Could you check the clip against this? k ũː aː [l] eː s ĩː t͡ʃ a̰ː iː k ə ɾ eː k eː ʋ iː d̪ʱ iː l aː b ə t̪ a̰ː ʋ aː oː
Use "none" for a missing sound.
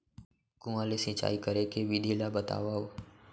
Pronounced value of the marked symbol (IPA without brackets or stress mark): l